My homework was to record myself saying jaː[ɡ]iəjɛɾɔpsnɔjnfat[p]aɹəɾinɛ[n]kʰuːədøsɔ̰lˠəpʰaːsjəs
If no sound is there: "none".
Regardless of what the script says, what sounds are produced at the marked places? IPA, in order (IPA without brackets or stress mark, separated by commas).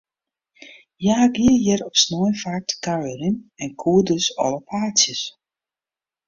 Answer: ɡ, k, n